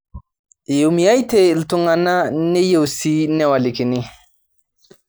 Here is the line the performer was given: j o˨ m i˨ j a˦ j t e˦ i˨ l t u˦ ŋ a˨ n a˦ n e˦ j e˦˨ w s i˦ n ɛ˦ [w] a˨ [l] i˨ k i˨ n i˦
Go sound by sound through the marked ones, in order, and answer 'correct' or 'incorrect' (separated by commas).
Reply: correct, correct